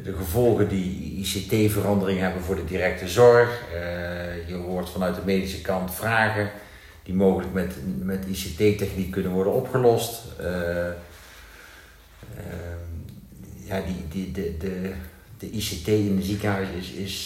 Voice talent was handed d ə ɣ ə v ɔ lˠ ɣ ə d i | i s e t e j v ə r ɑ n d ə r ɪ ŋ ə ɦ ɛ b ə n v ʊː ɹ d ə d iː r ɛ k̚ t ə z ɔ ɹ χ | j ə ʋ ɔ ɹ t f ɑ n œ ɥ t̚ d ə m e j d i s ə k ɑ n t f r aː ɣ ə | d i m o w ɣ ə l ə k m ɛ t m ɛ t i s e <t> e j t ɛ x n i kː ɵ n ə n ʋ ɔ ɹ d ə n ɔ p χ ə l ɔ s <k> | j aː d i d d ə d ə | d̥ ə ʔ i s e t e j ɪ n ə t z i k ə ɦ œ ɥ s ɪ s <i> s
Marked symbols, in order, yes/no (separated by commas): yes, no, no